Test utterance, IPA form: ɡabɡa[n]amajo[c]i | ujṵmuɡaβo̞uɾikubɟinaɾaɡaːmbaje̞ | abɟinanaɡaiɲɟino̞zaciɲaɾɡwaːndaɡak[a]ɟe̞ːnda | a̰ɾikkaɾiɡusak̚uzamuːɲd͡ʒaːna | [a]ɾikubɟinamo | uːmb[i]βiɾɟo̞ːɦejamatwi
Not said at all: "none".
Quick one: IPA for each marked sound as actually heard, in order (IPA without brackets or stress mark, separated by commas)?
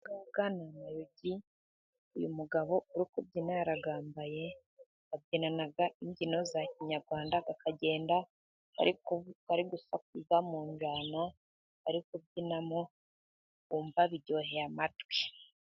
n, ɟ, a, a, a